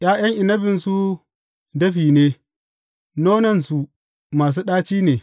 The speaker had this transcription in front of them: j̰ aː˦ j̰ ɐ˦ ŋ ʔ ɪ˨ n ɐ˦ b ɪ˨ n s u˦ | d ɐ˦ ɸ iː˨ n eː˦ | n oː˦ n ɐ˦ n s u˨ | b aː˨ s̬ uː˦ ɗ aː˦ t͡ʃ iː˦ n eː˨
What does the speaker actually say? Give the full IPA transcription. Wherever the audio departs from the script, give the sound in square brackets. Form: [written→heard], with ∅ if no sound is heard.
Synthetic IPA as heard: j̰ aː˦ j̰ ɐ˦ ŋ ʔ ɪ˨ n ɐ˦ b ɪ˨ n s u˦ | d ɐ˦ ɸ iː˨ n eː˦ | n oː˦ n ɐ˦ n s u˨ | [b→m] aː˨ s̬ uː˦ ɗ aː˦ t͡ʃ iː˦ n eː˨